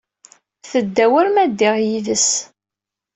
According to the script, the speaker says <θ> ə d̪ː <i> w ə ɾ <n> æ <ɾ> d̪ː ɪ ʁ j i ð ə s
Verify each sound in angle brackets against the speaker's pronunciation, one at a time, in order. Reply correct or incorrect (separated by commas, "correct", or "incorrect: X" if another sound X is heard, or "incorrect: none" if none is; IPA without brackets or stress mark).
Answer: correct, incorrect: æ, incorrect: m, incorrect: none